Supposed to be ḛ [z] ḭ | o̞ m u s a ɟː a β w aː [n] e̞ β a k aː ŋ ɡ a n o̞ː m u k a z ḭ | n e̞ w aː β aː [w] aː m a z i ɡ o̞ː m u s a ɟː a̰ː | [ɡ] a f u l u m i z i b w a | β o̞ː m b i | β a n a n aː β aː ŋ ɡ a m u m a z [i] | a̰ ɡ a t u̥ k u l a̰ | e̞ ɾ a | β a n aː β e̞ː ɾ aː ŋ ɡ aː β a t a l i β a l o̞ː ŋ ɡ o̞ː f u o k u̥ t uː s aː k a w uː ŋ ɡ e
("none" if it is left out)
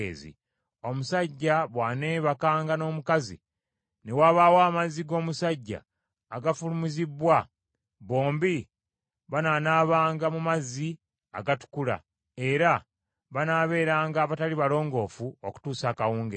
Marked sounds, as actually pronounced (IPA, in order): z, n, w, ɡ, i

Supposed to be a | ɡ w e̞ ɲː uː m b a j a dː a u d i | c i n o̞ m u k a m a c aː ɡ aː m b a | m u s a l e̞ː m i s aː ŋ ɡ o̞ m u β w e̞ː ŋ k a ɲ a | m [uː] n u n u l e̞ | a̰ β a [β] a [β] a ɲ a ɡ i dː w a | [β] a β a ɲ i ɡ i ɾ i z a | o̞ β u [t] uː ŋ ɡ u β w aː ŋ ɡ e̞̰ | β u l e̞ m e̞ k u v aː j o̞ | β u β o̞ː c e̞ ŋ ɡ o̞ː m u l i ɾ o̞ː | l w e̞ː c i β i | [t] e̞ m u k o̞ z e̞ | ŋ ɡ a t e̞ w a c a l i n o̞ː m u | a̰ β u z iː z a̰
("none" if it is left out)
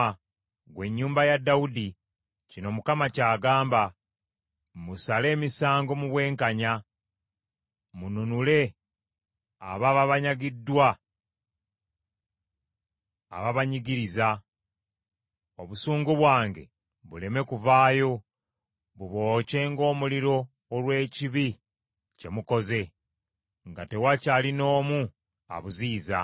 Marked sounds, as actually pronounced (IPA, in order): u, β, β, β, s, c

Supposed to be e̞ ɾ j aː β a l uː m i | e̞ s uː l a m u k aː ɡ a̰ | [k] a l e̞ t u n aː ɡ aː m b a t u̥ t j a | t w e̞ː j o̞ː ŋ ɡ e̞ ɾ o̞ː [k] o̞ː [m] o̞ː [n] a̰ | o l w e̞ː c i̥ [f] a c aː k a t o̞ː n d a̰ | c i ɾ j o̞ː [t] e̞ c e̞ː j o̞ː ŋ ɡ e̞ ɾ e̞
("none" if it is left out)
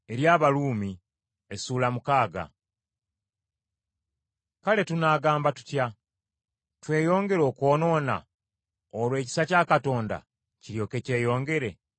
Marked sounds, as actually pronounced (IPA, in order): k, k, n, n, s, k

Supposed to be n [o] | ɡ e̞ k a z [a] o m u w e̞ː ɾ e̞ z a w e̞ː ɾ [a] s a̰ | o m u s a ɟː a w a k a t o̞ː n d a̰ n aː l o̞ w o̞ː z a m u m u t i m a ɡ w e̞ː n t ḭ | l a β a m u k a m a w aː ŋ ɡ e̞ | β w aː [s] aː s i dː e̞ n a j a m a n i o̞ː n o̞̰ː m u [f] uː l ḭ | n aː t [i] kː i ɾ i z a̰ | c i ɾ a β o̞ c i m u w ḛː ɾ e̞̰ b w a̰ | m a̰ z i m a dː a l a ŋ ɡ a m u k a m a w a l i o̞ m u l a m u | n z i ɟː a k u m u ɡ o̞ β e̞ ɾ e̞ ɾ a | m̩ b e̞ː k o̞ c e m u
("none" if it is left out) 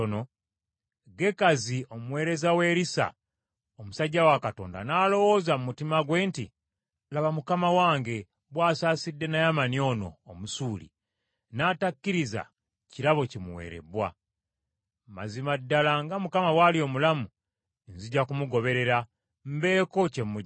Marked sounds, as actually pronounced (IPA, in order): o, i, i, s, s, a

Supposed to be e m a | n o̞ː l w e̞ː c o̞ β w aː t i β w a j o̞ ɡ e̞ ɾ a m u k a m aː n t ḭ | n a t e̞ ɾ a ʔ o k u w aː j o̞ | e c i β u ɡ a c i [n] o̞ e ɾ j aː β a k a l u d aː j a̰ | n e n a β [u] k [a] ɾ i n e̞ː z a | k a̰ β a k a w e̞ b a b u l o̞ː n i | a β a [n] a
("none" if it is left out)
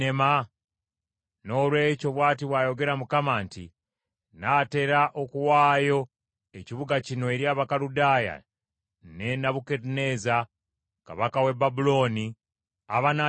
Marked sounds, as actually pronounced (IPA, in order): n, u, e, n

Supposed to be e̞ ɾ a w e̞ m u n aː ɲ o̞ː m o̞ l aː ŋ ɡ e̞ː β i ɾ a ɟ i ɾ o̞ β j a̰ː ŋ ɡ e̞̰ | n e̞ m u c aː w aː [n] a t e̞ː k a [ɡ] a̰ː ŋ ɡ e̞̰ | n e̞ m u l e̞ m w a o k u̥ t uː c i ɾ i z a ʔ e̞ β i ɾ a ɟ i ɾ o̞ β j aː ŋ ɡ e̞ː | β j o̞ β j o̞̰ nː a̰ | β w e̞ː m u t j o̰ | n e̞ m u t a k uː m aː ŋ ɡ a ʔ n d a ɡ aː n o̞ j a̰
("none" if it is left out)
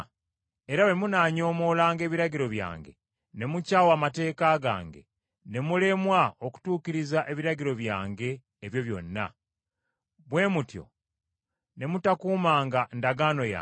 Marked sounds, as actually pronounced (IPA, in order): m, ɡ

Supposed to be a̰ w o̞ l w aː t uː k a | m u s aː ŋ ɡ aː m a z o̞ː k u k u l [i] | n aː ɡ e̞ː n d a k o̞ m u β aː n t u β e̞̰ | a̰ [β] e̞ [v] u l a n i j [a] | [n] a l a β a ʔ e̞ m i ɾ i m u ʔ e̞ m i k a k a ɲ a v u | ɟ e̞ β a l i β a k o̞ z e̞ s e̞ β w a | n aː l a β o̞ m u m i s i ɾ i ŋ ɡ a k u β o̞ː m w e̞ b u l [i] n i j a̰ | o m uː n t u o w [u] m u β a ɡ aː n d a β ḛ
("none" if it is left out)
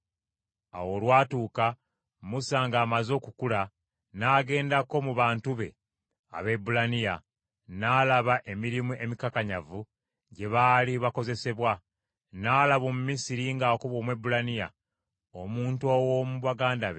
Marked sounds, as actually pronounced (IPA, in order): a, β, b, a, n, a, o

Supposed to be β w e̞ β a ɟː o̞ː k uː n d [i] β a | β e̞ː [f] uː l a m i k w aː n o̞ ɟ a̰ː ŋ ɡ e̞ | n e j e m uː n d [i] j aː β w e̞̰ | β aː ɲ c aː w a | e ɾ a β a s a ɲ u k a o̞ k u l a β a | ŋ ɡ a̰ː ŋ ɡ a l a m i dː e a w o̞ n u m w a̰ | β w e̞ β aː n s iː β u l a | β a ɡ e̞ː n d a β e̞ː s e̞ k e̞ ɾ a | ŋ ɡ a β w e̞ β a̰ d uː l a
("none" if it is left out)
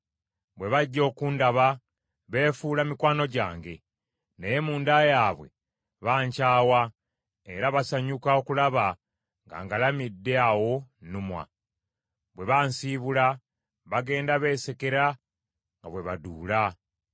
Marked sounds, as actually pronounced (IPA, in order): a, f, a

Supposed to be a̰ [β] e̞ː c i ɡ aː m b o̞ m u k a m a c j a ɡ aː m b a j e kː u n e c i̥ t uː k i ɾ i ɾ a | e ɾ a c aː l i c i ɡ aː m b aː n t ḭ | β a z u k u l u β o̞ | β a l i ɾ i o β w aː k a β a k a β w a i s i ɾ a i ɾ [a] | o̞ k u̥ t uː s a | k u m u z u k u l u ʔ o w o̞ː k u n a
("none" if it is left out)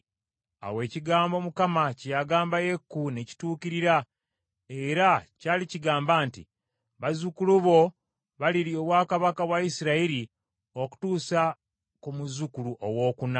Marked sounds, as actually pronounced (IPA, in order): w, i

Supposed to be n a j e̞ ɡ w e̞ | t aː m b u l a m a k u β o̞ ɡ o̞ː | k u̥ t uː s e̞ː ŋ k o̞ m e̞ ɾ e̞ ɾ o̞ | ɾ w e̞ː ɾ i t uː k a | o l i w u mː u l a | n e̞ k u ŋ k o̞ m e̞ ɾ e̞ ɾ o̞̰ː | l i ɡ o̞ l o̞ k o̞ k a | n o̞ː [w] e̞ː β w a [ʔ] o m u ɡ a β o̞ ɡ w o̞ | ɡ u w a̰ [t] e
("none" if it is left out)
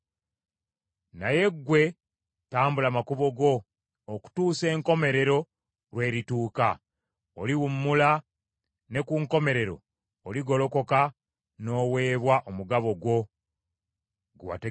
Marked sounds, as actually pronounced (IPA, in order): w, ʔ, t

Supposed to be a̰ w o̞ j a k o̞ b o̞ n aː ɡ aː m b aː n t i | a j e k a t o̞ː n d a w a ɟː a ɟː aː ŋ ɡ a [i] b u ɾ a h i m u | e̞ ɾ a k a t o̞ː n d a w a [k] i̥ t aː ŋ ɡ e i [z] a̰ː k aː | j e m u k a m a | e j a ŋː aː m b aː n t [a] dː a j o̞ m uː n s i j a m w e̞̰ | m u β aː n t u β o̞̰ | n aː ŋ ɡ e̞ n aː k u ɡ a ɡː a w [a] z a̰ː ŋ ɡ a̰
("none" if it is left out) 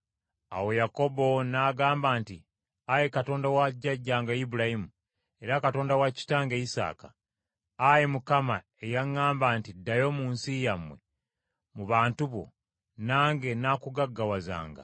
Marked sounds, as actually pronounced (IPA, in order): i, c, s, i, a

